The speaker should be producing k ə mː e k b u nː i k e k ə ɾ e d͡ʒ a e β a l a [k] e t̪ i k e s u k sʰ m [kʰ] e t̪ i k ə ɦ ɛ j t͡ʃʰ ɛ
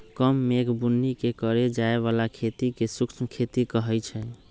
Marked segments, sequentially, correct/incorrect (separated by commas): incorrect, correct